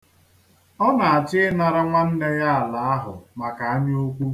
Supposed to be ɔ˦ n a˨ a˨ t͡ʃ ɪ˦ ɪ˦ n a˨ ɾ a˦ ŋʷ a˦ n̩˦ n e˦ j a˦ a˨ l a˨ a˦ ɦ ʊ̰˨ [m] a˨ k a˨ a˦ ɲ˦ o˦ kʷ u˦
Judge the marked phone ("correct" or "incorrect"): correct